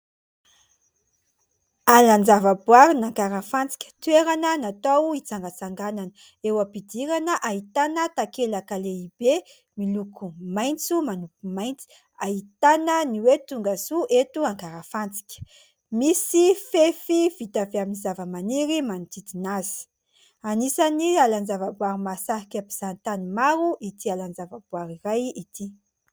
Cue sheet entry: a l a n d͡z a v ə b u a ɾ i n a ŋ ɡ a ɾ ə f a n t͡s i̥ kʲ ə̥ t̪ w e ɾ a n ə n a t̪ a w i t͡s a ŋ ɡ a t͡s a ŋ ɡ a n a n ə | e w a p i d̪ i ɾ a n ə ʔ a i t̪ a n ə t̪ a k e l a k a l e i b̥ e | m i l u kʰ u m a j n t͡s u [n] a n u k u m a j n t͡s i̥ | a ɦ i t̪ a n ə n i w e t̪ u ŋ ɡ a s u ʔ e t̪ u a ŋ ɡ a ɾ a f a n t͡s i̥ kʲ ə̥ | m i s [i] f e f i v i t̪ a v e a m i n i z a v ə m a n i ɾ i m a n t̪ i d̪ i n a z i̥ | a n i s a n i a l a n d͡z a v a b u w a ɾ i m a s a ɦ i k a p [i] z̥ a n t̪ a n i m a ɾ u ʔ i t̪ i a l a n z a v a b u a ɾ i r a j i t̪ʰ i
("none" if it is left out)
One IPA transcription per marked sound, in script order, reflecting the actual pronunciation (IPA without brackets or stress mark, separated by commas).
m, i, i